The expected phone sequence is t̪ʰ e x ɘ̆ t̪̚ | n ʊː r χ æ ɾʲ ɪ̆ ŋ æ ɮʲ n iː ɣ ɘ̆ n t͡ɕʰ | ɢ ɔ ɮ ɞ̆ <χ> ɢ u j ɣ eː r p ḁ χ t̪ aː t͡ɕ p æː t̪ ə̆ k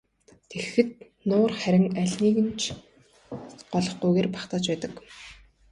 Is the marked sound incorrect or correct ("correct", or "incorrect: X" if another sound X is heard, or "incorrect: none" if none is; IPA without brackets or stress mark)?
correct